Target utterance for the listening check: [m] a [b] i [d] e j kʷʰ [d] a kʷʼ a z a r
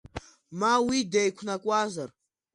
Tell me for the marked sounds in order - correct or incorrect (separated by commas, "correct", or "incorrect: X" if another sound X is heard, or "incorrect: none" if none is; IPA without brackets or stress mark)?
correct, incorrect: w, correct, incorrect: n